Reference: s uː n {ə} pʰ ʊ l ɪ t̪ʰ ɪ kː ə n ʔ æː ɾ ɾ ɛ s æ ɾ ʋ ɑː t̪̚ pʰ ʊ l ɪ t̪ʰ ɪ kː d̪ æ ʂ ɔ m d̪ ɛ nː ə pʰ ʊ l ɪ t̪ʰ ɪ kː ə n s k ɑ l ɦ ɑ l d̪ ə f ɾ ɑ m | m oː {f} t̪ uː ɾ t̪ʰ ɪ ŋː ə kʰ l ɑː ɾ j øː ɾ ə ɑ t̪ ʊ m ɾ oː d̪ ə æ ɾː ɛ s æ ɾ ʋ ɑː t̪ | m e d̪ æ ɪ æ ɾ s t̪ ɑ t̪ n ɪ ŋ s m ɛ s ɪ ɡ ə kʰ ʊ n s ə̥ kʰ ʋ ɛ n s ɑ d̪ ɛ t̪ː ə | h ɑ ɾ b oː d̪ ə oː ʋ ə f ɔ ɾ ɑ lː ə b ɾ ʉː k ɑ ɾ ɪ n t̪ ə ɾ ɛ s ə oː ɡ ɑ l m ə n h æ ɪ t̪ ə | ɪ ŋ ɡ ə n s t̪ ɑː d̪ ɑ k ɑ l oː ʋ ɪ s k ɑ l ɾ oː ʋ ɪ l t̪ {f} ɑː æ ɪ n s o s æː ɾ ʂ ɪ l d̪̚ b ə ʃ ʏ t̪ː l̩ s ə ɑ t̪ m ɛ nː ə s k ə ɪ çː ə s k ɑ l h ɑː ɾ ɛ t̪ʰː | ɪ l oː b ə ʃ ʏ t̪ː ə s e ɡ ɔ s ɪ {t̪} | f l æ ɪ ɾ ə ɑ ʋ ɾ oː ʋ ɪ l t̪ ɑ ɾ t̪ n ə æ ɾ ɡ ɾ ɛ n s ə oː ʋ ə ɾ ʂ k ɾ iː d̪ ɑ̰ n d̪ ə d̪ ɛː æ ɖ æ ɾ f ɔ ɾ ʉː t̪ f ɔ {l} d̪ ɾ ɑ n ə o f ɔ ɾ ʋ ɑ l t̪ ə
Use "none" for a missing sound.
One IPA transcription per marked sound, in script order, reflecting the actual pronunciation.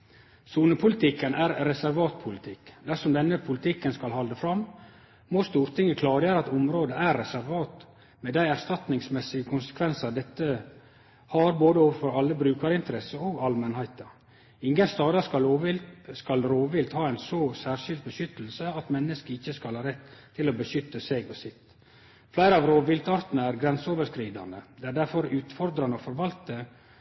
ə, s, h, t̪, ɾ

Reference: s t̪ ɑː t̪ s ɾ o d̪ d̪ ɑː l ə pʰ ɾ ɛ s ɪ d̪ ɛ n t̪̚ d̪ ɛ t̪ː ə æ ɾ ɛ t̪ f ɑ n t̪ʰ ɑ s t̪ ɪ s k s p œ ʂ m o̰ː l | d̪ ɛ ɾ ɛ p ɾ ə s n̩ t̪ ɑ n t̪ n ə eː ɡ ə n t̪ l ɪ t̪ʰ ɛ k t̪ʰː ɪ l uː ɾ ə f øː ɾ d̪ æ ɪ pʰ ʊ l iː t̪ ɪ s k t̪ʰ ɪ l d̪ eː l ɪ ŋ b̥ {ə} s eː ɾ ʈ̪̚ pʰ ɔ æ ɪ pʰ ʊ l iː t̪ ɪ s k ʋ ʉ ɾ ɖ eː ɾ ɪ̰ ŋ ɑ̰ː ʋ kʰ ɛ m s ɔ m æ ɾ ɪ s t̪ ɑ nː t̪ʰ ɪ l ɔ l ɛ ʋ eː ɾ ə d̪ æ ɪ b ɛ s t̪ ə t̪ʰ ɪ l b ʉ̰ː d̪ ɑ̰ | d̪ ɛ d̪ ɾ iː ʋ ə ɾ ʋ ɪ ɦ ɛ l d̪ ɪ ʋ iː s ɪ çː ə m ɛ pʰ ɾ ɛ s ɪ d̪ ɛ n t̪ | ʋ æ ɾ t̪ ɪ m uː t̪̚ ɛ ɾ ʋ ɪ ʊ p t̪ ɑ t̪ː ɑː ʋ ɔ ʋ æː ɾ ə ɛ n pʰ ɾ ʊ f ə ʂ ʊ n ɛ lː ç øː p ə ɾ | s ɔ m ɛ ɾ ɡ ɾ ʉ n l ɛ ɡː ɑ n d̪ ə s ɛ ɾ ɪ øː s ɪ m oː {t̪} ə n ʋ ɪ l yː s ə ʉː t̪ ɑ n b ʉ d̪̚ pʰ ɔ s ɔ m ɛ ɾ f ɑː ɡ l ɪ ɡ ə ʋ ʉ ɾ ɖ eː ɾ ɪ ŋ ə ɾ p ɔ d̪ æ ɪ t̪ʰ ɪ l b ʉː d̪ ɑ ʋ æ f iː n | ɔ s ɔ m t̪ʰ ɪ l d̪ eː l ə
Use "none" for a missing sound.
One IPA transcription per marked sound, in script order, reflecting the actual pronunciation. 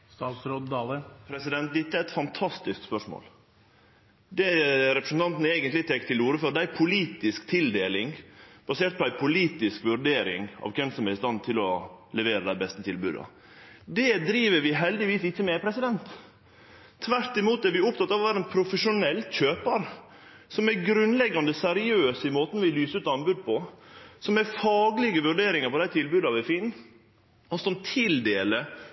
ɑ, t̪

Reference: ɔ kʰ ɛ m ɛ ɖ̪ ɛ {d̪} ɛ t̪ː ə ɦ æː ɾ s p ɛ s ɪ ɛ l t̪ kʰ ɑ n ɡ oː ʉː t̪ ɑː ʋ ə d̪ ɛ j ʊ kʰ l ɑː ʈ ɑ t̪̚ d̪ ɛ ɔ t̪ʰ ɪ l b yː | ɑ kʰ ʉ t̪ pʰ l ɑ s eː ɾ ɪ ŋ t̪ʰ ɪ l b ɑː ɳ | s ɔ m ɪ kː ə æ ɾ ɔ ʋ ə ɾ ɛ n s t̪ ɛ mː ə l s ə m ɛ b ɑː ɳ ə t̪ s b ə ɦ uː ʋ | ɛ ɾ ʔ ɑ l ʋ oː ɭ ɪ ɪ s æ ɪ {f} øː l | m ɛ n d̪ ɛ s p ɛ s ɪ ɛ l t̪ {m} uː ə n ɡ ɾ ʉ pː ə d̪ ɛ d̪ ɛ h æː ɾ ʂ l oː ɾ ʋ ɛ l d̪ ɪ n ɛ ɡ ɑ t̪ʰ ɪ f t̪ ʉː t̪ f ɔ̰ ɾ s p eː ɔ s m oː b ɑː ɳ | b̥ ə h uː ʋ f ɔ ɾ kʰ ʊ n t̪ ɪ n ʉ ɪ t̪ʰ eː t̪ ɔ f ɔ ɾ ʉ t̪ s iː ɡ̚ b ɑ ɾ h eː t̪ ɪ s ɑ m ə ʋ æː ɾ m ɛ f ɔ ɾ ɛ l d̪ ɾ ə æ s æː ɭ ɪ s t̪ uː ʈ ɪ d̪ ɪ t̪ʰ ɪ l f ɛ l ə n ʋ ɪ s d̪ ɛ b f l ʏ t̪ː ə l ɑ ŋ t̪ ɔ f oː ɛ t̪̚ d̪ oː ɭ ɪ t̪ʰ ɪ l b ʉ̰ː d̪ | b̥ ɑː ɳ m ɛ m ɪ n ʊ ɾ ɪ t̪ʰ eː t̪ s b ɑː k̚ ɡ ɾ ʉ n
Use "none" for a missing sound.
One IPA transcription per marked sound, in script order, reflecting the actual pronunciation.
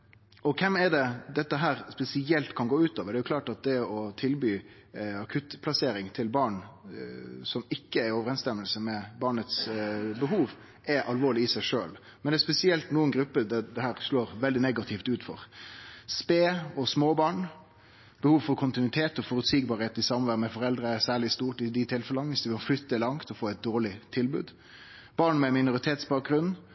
d̪, ʂ, n

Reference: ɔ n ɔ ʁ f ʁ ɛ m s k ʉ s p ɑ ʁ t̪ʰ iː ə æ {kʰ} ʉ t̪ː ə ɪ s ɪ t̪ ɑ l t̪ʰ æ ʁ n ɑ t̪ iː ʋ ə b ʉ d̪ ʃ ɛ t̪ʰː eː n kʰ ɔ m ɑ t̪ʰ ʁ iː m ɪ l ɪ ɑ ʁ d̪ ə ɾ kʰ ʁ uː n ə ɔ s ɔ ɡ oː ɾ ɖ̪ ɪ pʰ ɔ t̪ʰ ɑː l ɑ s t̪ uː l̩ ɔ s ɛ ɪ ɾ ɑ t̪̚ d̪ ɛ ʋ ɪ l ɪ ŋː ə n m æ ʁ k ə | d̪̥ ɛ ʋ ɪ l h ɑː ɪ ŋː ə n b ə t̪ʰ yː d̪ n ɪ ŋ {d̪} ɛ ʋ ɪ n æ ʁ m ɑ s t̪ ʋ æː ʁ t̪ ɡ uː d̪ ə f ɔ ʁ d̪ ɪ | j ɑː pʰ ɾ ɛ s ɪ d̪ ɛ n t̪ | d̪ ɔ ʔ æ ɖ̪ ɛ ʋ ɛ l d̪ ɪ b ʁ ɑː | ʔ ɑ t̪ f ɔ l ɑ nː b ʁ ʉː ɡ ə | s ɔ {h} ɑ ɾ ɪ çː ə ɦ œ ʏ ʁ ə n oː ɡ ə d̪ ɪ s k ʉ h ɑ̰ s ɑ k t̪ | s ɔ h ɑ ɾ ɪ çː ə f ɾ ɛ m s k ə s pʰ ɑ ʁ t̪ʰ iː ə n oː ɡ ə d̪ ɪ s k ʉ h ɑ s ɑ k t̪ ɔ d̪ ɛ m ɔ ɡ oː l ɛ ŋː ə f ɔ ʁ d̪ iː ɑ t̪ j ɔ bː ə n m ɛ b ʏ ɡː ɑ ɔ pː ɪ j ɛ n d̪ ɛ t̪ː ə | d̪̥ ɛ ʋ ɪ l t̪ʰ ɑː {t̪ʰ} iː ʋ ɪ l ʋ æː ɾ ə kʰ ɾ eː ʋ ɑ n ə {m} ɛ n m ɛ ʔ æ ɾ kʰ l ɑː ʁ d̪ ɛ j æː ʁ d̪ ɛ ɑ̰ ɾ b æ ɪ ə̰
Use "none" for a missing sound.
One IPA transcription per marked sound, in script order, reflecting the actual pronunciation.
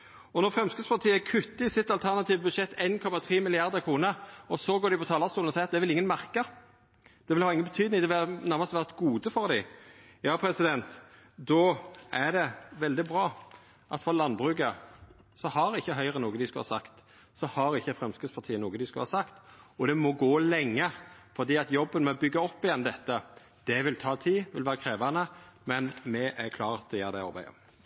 kʰ, d̪, h, t̪ʰ, m

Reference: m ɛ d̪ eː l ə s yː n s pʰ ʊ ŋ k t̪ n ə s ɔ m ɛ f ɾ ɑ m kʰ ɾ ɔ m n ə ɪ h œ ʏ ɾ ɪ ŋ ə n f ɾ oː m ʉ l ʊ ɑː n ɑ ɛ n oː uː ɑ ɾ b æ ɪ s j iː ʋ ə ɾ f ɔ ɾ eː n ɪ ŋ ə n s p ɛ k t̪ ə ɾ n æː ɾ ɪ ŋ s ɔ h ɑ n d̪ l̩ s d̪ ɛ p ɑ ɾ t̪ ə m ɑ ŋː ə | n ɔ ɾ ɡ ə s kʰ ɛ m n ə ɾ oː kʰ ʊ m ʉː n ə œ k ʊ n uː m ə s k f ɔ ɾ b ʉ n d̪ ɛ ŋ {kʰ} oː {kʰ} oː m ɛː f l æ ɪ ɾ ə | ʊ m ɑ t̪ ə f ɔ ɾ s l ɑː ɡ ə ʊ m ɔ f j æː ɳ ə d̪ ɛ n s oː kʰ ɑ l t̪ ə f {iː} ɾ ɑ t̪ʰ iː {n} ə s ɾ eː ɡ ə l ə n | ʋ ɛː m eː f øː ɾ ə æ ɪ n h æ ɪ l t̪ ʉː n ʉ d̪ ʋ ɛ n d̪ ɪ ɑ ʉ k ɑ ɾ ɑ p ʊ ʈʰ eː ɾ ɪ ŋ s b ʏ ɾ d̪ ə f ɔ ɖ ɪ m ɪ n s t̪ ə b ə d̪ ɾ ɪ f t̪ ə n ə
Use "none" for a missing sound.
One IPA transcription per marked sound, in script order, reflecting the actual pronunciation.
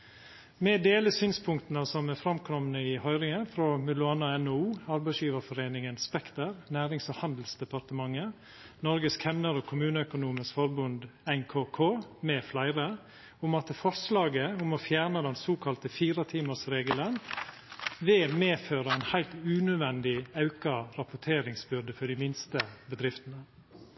kʰ, kʰ, iː, m

